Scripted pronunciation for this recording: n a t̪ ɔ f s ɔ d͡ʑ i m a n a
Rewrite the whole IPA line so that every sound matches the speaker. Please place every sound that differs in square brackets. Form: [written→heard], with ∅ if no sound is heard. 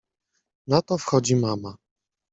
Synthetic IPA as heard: n a t̪ ɔ f [s→x] ɔ d͡ʑ i m a [n→m] a